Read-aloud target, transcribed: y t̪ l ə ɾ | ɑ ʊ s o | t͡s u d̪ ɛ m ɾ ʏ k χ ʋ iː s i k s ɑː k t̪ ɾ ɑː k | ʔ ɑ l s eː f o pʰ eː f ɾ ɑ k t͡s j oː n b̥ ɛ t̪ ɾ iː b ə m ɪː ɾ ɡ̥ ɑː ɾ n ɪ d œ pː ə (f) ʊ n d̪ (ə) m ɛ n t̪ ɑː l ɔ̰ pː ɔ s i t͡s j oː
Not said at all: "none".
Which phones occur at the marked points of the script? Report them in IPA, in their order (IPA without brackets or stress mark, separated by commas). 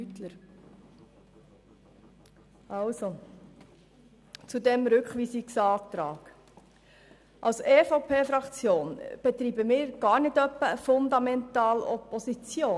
f, ɑ